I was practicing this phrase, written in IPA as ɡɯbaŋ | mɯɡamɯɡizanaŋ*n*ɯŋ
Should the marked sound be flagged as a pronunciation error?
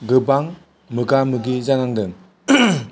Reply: yes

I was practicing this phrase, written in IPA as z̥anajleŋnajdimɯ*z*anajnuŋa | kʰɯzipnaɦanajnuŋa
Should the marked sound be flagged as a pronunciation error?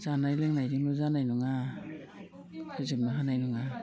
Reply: no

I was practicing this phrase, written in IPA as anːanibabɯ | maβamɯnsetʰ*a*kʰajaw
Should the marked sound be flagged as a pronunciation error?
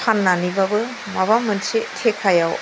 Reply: yes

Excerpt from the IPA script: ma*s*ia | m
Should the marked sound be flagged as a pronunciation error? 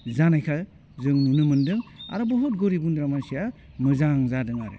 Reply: no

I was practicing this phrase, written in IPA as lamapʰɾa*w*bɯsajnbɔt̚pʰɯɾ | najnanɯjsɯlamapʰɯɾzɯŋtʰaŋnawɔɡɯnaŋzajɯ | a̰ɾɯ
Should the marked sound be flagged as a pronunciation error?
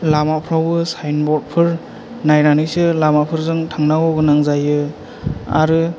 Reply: no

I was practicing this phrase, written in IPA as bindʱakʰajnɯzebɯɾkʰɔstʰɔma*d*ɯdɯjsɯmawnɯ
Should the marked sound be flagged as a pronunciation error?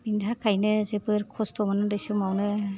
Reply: yes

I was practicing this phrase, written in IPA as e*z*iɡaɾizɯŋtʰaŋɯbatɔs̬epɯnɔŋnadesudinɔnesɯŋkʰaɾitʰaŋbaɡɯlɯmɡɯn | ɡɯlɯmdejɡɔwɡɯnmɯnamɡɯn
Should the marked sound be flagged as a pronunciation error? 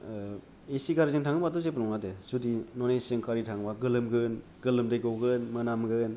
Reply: yes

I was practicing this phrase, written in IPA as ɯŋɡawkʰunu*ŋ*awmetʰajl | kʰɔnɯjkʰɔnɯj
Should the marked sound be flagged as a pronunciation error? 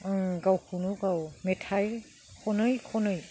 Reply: yes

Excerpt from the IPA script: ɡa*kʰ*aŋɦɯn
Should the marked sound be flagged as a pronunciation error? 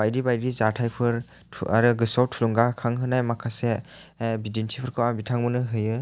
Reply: no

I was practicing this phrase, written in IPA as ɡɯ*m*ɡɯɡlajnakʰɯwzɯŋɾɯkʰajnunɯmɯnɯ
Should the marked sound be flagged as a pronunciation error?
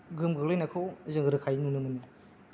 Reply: no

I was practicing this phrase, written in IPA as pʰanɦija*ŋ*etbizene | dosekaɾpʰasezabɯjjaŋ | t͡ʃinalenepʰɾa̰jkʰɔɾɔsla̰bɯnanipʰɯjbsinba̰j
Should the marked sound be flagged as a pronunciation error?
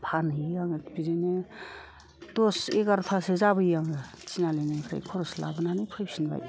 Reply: no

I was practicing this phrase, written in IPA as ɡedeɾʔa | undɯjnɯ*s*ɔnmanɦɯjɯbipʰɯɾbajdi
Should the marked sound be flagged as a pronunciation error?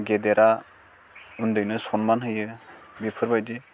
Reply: no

